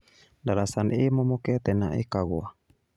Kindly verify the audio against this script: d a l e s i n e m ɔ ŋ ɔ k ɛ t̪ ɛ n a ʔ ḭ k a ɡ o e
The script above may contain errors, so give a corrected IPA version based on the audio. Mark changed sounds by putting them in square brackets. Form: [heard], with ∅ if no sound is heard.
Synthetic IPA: d a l [a] s [a] n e m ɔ [m] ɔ k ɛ t̪ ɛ n a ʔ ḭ k a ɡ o [a]

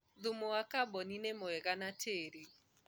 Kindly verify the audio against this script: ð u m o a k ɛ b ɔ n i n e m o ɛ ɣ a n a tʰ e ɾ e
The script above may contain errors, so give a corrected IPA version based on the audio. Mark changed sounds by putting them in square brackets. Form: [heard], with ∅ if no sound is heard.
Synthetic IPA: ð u m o a k [a] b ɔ n i n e m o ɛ ɣ a n a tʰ e ɾ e

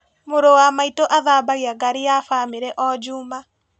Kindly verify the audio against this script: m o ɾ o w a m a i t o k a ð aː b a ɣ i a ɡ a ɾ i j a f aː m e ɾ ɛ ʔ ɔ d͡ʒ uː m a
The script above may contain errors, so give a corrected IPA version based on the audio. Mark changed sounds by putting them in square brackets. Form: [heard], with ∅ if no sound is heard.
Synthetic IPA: m o ɾ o w a m a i t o [ʔ] a ð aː b a ɣ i a ɡ a ɾ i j a f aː m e ɾ ɛ ʔ ɔ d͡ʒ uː m a

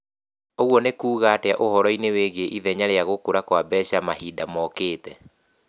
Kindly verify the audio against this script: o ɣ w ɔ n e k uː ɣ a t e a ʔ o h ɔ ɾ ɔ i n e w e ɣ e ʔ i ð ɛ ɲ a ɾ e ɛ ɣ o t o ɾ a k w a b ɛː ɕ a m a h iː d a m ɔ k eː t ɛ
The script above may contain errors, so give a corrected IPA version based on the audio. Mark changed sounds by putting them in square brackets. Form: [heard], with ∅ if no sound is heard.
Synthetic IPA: o ɣ w ɔ n e k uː ɣ a t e a ʔ o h ɔ ɾ ɔ i n e w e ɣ e ʔ i ð ɛ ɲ a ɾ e [a] ɣ o [k] o ɾ a k w a b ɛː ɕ a m a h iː d a m ɔ k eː t ɛ

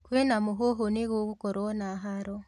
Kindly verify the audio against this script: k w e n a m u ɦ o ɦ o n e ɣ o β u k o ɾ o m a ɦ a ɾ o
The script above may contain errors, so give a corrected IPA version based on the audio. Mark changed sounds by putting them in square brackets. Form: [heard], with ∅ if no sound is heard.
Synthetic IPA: k w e n a m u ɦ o ɦ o n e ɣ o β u k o ɾ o [n] a ɦ a ɾ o

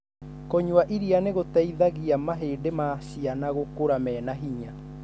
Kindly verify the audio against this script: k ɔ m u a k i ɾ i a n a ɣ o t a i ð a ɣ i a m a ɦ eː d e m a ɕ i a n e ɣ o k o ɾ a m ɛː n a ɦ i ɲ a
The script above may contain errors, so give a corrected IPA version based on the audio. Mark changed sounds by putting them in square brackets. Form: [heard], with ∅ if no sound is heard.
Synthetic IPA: k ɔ [ɲ] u a [ʔ] i ɾ i a n [e] ɣ o t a i ð a ɣ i a m a ɦ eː d e m a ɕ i a n [a] ɣ o k o ɾ a m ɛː n a ɦ i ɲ a

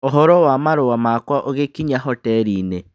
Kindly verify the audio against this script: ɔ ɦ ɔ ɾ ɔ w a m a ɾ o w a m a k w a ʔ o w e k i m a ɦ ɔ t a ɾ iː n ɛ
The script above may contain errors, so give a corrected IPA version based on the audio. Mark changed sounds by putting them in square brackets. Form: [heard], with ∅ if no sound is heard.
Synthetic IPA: [o] ɦ ɔ ɾ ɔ w a m a ɾ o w a m a k w a ʔ o [ɣ] e k i [ɲ] a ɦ ɔ t [ɛ] ɾ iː n [e]

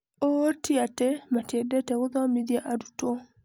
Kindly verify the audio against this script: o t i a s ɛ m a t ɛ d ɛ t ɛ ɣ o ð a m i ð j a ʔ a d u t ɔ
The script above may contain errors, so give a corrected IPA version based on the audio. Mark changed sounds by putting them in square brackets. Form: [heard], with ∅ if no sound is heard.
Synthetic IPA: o t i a [t] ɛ m a t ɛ d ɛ t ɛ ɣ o ð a m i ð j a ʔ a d u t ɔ

